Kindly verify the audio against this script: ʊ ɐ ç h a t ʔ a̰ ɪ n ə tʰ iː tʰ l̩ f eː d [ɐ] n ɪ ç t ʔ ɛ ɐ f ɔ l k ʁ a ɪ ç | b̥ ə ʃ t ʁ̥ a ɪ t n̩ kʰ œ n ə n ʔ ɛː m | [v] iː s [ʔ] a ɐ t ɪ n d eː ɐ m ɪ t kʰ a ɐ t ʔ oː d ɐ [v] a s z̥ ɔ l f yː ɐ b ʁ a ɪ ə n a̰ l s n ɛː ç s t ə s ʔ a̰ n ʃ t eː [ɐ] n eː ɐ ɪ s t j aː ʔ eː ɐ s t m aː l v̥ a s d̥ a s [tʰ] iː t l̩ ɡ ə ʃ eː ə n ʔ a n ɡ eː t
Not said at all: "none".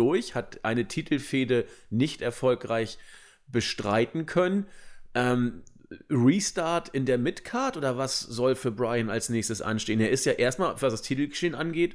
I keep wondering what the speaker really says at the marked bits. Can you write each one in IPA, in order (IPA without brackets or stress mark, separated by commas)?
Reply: ə, ʁ, t, v, ə, tʰ